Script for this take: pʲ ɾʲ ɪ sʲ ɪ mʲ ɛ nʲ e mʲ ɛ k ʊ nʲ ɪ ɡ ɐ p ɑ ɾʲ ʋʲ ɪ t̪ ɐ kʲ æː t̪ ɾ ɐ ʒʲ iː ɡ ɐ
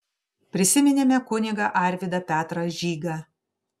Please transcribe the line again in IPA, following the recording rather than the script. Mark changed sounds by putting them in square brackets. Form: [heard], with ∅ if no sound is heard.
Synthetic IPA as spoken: pʲ ɾʲ ɪ sʲ ɪ mʲ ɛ nʲ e mʲ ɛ k ʊ nʲ ɪ ɡ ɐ [ʔ] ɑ ɾʲ ʋʲ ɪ [d̪] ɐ [pʲ] æː t̪ ɾ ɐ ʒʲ iː ɡ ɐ

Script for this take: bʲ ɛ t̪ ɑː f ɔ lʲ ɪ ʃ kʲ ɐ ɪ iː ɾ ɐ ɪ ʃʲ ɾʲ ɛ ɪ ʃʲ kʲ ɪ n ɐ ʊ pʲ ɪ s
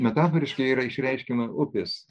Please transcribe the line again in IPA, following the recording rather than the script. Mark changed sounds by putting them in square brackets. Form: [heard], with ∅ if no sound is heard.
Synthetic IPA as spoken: [mʲ] ɛ t̪ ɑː f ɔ [ɾʲ] ɪ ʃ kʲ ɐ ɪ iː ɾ ɐ ɪ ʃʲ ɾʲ ɛ ɪ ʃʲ kʲ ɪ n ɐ ʊ pʲ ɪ s

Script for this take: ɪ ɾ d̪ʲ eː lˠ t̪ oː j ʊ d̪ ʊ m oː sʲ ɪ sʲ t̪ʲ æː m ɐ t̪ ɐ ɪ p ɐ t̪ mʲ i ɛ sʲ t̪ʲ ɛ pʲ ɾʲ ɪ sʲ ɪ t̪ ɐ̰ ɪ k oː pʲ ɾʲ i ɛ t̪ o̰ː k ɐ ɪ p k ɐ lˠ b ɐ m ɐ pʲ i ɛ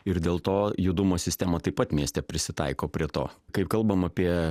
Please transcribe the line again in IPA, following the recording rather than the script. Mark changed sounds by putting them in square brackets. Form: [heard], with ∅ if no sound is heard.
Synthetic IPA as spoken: ɪ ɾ d̪ʲ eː lˠ t̪ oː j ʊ d̪ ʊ m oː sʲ ɪ sʲ t̪ʲ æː m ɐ t̪ ɐ ɪ p ɐ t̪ mʲ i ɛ sʲ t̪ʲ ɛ pʲ ɾʲ ɪ sʲ ɪ t̪ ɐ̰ ɪ k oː pʲ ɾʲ i ɛ t̪ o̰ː k ɐ ɪ p k ɐ lˠ b ɐ m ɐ pʲ i ɛ

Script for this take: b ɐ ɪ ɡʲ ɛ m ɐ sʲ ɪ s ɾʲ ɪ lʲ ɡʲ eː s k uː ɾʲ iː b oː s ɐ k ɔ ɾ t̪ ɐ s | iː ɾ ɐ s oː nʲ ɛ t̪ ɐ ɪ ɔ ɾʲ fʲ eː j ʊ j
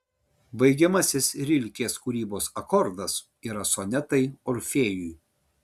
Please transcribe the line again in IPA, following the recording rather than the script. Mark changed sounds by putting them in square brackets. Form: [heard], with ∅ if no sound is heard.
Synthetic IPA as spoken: b ɐ ɪ ɡʲ ɛ m ɐ sʲ ɪ s ɾʲ ɪ lʲ [kʲ] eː s k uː ɾʲ iː b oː s ɐ k ɔ ɾ [d̪] ɐ s | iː ɾ ɐ s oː nʲ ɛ t̪ ɐ ɪ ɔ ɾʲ fʲ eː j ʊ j

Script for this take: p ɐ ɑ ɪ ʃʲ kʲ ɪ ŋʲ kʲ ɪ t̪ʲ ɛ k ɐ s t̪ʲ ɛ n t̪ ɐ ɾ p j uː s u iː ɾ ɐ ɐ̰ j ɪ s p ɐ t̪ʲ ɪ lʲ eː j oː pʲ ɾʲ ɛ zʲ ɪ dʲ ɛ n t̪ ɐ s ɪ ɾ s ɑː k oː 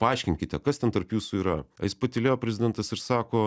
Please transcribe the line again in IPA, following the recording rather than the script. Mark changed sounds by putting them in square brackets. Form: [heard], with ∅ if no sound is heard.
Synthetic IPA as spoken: p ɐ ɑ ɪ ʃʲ kʲ ɪ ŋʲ kʲ ɪ t̪ʲ ɛ k ɐ s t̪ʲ ɛ n t̪ ɐ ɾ p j uː s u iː ɾ ɐ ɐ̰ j ɪ s p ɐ t̪ʲ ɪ lʲ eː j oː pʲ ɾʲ ɛ zʲ ɪ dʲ ɛ n t̪ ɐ s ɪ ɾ s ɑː k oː

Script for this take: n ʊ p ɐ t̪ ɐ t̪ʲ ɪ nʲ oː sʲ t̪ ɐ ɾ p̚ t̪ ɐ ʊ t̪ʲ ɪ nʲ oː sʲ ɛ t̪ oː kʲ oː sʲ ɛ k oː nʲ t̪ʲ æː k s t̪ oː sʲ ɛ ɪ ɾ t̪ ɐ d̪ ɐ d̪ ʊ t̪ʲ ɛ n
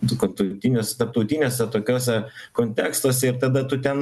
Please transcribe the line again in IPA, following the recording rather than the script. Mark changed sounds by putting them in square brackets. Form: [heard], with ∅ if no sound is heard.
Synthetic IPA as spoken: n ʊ [k] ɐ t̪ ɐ t̪ʲ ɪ nʲ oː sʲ t̪ ɐ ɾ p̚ t̪ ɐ ʊ t̪ʲ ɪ nʲ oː sʲ ɛ t̪ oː kʲ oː sʲ ɛ k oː nʲ t̪ʲ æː k s t̪ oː sʲ ɛ ɪ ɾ t̪ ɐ d̪ ɐ [t̪] ʊ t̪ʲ ɛ n

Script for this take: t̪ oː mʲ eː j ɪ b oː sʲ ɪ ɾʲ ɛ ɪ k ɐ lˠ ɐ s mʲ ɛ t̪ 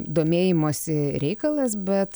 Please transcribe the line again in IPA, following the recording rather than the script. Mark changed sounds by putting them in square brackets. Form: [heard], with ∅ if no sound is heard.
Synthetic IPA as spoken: [d̪] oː mʲ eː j ɪ [m] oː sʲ ɪ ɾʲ ɛ ɪ k ɐ lˠ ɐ s [bʲ] ɛ t̪

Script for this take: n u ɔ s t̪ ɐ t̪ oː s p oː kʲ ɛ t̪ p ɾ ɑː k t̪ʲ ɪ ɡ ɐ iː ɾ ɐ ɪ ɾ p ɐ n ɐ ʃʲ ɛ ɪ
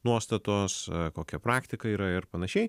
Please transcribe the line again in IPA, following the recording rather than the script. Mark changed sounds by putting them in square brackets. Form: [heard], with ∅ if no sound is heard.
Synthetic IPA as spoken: n u ɔ s t̪ ɐ t̪ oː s [k] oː kʲ ɛ [∅] p ɾ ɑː k t̪ʲ ɪ [k] ɐ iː ɾ ɐ ɪ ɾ p ɐ n ɐ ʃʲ ɛ ɪ

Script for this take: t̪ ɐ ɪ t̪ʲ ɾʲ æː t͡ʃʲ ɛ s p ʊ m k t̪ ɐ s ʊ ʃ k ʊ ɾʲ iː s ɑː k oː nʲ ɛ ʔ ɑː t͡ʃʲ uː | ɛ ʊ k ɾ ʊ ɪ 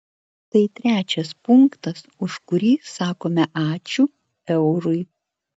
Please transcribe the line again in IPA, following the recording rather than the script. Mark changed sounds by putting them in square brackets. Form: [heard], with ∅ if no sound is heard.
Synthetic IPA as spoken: t̪ ɐ ɪ t̪ʲ ɾʲ æː t͡ʃʲ ɛ s p ʊ [ŋ] k t̪ ɐ s ʊ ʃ k ʊ ɾʲ iː s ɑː k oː [mʲ] ɛ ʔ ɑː t͡ʃʲ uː | ɛ ʊ [∅] ɾ ʊ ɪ

